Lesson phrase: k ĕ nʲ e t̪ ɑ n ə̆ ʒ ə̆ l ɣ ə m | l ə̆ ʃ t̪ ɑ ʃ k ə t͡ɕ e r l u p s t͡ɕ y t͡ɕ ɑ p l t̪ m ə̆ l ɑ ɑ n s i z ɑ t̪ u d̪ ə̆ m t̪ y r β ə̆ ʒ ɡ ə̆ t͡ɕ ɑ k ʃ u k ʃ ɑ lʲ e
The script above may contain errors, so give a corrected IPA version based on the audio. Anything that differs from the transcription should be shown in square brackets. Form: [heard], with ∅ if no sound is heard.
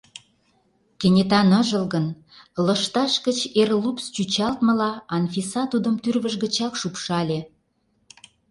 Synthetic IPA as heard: k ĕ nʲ e t̪ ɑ n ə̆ ʒ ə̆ l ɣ ə [n] | l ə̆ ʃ t̪ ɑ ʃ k ə t͡ɕ e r l u p s t͡ɕ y t͡ɕ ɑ [∅] l t̪ m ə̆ l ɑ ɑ n [f] i [s] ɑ t̪ u d̪ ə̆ m t̪ y r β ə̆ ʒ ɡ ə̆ t͡ɕ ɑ k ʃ u [p] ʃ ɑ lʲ e